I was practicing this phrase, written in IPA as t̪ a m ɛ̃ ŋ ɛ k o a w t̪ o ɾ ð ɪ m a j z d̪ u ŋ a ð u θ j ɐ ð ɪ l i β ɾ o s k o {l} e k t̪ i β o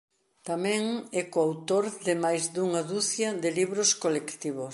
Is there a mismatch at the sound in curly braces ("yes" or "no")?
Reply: no